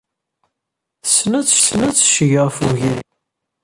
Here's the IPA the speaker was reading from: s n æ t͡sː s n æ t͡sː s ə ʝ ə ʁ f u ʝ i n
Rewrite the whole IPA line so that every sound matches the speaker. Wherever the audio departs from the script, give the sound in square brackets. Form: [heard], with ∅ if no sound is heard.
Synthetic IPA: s n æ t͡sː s n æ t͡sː [ʃ] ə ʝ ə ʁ f u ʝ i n